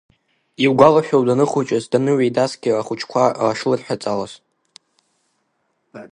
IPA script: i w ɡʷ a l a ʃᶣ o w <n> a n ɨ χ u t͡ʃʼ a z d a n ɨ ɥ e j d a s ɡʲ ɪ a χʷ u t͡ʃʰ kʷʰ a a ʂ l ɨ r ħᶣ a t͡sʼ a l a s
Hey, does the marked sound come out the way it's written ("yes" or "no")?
no